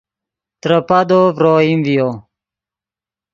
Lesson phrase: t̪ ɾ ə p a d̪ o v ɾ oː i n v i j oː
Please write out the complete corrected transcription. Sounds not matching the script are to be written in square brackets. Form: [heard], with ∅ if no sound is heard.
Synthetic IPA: t̪ ɾ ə p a d̪ o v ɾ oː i [m] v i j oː